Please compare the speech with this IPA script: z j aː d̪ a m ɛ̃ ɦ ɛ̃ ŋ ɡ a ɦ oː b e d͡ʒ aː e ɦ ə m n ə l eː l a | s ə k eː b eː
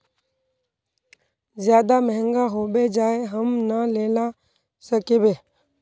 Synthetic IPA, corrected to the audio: z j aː d̪ a m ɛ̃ ɦ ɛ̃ ŋ ɡ a ɦ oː b e d͡ʒ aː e ɦ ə m n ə l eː l a | s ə k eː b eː